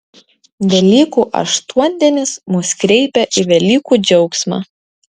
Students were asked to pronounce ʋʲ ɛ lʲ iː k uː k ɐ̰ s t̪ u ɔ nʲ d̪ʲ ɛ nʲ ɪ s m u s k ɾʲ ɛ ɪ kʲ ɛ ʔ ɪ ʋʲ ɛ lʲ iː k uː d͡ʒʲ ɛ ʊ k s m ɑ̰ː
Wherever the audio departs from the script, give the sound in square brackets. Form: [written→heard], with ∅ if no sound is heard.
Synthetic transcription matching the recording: ʋʲ ɛ lʲ iː k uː [k→ʔ] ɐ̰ [s→ʃ] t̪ u ɔ nʲ d̪ʲ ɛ nʲ ɪ s m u s k ɾʲ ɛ ɪ [kʲ→pʲ] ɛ ʔ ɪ ʋʲ ɛ lʲ iː k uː d͡ʒʲ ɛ ʊ k s m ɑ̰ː